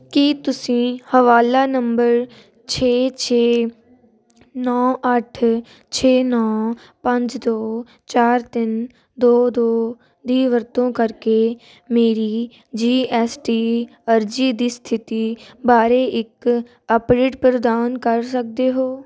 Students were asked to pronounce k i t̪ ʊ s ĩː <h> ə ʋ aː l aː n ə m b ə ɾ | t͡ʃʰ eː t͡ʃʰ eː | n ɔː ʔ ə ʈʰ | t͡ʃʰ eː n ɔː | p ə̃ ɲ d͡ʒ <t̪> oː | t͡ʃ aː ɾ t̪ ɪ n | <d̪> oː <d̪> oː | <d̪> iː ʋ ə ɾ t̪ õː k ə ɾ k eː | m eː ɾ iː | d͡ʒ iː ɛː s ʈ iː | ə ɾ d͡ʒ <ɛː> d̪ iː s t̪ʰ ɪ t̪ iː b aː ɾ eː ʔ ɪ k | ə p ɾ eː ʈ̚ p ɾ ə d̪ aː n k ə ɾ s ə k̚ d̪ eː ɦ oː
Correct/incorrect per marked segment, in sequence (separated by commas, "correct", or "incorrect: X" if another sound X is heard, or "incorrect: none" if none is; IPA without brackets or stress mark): correct, incorrect: d̪, correct, correct, correct, incorrect: iː